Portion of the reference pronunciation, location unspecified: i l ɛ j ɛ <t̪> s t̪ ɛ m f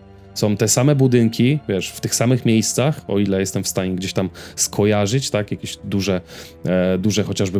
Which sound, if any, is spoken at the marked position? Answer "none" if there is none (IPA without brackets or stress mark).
none